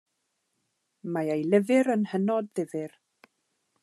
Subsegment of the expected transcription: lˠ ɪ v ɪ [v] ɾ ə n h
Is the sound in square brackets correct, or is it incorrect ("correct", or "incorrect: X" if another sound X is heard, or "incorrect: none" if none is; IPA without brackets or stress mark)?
incorrect: none